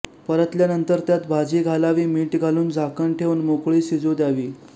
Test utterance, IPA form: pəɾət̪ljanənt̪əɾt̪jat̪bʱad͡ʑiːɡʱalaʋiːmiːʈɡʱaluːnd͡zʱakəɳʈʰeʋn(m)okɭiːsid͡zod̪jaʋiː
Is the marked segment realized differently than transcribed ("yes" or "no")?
no